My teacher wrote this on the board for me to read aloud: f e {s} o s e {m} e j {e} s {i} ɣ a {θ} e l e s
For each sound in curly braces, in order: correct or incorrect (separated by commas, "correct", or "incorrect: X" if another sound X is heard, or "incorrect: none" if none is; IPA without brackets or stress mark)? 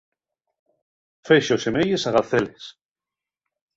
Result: incorrect: ʃ, correct, correct, incorrect: a, correct